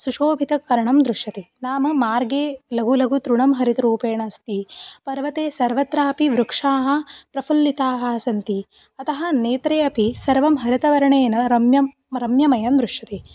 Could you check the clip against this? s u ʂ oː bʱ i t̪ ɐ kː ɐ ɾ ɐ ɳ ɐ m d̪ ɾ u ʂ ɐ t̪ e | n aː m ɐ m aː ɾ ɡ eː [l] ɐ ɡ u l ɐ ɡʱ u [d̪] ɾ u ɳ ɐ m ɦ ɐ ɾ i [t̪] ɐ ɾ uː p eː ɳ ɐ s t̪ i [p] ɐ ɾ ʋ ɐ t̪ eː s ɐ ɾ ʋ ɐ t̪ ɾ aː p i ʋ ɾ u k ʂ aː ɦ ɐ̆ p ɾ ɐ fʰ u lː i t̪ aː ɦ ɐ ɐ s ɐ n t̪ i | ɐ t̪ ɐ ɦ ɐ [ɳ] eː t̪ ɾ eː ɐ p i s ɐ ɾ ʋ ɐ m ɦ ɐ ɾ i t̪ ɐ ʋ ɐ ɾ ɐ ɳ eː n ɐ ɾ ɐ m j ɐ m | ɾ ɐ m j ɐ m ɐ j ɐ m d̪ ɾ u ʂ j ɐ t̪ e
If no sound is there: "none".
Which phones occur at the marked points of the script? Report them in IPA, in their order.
l, t̪, t̪, p, n

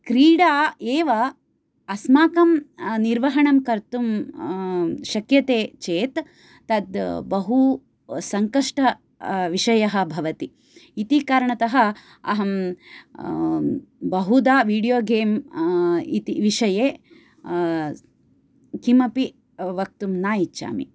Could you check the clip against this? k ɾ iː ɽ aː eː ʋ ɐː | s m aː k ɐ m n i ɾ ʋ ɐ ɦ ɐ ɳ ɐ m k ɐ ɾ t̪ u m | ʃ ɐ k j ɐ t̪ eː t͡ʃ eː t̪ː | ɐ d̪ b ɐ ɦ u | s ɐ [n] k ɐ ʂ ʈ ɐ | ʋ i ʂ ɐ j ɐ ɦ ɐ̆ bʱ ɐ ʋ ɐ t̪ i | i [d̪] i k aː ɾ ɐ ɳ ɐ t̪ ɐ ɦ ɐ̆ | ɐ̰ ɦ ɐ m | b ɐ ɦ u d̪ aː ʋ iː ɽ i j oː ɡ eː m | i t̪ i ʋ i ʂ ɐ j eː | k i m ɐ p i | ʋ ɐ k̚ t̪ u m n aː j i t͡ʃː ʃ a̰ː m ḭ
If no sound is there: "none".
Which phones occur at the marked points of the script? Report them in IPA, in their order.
ŋ, t̪

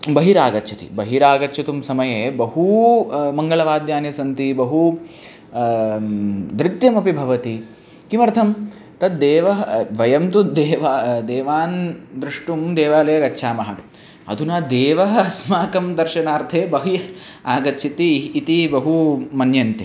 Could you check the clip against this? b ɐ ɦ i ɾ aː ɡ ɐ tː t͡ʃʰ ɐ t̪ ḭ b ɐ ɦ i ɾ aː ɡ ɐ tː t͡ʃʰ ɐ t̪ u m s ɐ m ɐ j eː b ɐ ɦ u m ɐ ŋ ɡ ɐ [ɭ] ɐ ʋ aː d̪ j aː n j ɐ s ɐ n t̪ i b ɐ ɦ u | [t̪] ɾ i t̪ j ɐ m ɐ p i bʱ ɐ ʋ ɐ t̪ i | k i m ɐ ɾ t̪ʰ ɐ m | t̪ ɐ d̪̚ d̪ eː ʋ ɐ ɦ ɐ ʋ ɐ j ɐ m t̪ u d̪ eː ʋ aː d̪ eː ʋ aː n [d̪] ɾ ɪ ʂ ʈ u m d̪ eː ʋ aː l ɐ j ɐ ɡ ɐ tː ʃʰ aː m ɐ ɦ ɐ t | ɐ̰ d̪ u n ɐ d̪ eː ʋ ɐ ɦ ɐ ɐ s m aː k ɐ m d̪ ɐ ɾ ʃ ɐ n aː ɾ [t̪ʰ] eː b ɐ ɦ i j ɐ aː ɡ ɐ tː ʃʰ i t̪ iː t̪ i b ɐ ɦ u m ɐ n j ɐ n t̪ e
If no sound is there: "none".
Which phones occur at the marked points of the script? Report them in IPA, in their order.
ɭ, d̪, d̪, t̪ʰ

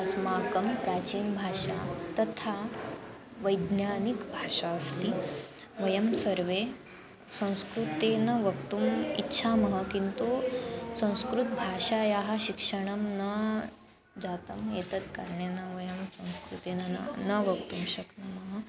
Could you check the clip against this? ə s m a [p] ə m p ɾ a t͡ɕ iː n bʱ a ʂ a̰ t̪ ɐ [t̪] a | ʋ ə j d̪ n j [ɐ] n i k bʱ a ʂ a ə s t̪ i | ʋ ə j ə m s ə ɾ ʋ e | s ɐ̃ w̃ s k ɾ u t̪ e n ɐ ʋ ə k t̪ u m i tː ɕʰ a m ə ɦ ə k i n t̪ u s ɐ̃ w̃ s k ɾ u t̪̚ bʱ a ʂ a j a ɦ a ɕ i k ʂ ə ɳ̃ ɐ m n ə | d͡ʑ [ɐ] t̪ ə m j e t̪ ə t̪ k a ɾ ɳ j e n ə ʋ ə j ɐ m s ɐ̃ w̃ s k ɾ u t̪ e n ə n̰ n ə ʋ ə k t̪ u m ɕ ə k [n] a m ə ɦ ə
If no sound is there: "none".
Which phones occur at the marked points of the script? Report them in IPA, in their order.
k, t̪ʰ, a, a, n

